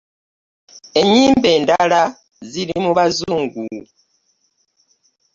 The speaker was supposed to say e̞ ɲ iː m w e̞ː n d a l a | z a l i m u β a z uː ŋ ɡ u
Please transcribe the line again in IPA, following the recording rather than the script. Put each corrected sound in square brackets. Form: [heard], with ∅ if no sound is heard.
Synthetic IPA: e̞ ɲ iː m [b] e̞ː n d a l a | z [i] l i m u β a z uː ŋ ɡ u